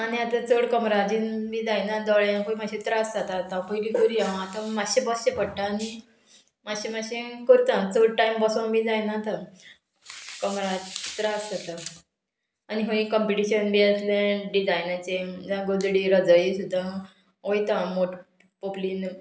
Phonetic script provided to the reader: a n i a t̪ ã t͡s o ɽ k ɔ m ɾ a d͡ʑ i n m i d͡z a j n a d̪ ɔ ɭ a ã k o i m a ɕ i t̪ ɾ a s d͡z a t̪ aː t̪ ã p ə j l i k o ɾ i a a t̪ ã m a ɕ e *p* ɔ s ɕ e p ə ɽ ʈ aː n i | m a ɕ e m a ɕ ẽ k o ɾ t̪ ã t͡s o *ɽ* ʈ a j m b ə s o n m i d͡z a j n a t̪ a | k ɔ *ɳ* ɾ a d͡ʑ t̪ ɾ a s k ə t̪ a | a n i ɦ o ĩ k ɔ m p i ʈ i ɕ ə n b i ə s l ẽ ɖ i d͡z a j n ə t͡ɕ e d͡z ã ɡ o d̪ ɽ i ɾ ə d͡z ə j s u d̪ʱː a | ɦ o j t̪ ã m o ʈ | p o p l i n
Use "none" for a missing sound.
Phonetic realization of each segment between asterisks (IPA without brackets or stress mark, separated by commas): b, ɽ, m